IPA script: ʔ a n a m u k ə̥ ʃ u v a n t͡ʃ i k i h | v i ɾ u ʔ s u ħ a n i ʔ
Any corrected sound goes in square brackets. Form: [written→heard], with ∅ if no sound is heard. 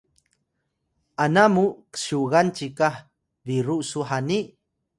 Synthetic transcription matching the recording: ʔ a n a m u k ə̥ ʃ u [v→ɣ] a n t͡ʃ i k [i→a] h | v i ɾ u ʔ s u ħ a n i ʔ